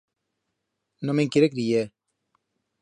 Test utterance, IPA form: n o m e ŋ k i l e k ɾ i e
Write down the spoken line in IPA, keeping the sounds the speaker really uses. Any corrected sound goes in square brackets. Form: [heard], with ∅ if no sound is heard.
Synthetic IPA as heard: n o m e ŋ k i [ɾ] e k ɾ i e